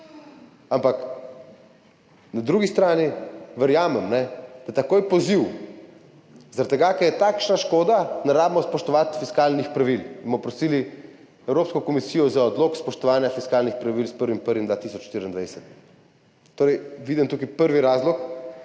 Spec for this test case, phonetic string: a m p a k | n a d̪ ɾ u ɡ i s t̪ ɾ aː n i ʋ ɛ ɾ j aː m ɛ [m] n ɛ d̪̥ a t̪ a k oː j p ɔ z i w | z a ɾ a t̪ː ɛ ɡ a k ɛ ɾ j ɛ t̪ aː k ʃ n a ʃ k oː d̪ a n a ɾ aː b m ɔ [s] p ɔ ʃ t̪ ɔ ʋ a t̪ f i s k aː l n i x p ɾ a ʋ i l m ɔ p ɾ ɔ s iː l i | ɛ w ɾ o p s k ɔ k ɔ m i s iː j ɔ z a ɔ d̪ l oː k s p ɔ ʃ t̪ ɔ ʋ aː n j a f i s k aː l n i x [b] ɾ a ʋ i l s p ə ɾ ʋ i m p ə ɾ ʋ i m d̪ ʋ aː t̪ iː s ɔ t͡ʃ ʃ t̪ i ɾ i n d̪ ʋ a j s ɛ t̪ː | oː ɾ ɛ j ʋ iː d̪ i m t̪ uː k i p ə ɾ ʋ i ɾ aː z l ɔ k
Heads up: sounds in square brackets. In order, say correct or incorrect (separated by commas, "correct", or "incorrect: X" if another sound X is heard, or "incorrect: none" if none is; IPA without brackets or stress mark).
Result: correct, correct, incorrect: p